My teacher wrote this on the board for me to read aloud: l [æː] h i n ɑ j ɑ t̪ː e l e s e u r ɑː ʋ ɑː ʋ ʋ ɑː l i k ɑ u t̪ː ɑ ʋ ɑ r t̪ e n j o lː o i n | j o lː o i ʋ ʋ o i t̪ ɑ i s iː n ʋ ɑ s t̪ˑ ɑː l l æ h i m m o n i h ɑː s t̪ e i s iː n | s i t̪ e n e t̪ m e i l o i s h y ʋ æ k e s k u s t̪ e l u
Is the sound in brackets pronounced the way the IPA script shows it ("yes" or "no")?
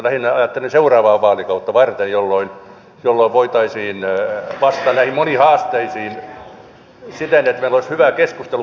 no